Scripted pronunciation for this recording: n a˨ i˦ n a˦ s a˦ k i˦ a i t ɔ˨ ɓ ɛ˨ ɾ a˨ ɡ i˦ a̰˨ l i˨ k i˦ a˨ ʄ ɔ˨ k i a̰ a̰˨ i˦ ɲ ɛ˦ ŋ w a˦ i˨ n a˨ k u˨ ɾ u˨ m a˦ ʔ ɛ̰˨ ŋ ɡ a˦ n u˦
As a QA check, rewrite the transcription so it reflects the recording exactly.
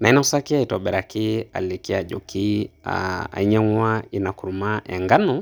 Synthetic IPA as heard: n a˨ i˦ n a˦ s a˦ k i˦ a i t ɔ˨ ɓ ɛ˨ ɾ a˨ k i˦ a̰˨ l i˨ k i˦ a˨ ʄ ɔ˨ k i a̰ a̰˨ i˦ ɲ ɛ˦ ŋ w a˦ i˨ n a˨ k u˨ ɾ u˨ m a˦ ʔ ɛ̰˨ ŋ ɡ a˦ n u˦